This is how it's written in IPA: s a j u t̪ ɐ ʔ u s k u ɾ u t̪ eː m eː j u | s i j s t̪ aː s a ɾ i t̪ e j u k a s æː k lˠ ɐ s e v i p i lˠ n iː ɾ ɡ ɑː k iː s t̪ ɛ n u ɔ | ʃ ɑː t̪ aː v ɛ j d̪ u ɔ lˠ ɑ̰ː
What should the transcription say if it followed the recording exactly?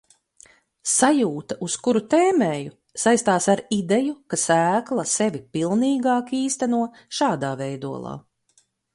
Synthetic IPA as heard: s a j uː t̪ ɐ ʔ u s k u ɾ u t̪ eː m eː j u | s a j s t̪ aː s a ɾ i d̪ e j u k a s æː k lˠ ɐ s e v i p i lˠ n iː ɡ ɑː k iː s t̪ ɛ n u ɔ | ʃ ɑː d̪ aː v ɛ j d̪ u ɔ lˠ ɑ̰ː